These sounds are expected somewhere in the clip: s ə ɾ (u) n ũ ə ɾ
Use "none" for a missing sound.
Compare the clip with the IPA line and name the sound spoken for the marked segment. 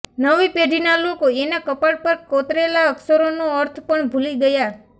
o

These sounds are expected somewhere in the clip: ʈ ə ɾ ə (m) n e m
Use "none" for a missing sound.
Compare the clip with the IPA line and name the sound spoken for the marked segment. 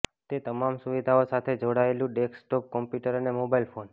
none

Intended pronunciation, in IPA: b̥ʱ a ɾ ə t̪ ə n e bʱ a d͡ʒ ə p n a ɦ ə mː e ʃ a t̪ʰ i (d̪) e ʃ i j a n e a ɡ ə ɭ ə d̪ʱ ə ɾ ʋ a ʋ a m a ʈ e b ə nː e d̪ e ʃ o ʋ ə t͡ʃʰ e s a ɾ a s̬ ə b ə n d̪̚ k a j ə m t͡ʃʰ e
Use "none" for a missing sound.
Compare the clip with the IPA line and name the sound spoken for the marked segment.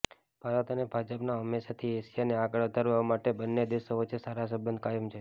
none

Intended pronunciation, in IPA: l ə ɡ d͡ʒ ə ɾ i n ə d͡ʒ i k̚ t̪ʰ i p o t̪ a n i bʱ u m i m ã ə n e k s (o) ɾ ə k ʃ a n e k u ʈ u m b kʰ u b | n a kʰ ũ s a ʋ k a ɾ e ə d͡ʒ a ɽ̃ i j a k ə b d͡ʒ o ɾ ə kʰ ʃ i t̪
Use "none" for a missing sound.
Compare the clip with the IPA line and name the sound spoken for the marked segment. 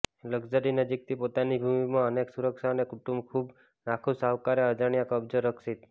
u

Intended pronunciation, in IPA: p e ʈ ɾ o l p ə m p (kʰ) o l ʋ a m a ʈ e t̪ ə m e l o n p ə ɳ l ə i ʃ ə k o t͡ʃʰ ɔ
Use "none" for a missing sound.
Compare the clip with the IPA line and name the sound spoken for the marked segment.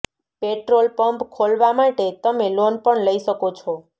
kʰ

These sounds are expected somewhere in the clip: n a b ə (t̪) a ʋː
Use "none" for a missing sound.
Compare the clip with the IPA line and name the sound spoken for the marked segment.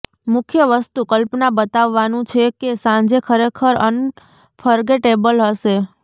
t̪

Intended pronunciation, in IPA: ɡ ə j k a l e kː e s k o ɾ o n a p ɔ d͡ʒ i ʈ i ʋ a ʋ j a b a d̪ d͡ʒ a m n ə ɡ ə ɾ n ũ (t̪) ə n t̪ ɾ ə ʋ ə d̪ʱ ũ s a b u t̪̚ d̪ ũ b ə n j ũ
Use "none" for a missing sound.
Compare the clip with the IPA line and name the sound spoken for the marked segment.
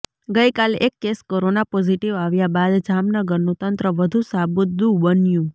t̪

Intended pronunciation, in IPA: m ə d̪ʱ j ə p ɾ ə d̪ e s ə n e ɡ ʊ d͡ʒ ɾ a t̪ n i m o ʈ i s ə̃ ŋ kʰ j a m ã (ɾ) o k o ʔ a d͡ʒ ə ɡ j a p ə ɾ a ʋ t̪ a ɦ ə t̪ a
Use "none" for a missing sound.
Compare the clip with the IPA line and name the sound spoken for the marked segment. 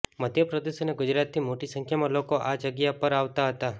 l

